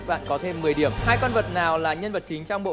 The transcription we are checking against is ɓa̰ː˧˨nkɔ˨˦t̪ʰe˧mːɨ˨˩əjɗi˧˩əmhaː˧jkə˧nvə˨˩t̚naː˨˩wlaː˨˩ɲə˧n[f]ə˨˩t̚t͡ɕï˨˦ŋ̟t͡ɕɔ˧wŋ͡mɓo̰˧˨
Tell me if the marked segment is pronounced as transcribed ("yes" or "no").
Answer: no